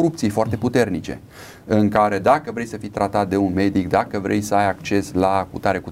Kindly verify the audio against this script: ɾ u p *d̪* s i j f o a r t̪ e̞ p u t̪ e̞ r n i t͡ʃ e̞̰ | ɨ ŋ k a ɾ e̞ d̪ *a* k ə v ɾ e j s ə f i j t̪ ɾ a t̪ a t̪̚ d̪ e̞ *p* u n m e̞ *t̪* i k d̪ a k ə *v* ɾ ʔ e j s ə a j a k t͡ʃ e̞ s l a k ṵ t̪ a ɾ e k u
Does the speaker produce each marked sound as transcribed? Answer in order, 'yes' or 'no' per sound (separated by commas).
no, yes, no, no, yes